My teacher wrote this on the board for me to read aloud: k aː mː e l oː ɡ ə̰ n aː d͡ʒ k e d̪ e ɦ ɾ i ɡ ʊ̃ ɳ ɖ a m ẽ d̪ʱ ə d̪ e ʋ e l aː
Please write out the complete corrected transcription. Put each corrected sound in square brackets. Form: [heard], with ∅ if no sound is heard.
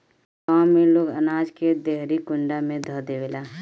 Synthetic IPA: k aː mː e l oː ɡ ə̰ n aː d͡ʒ k e d̪ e ɦ ɾ i [k] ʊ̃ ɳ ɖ a m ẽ d̪ʱ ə d̪ e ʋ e l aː